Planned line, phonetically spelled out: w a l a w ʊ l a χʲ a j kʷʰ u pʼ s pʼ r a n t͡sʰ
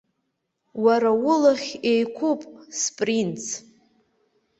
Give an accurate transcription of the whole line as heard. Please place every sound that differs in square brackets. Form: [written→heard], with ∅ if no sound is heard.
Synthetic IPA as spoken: w a [l→ɾ] a w ʊ l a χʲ [a→e] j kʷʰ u pʼ s pʼ r [a→i] n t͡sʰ